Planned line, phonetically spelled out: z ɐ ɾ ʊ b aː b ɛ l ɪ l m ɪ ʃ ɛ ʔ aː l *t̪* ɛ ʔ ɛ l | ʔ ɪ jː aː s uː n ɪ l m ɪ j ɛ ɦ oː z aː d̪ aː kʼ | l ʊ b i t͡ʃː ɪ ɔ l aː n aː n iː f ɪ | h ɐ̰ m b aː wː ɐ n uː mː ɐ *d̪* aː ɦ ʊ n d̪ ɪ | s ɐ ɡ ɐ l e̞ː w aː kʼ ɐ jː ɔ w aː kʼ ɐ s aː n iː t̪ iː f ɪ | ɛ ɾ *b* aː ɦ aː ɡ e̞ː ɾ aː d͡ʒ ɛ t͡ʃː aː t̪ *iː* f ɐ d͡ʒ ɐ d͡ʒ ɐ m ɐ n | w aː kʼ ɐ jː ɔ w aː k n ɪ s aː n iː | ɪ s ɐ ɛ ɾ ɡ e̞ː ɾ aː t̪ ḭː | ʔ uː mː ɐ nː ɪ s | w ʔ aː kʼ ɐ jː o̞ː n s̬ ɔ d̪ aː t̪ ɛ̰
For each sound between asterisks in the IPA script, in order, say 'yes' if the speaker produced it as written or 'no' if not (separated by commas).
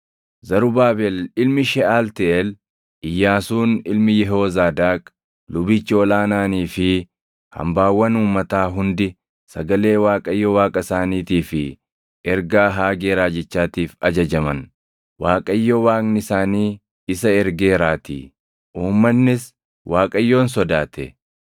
yes, no, no, yes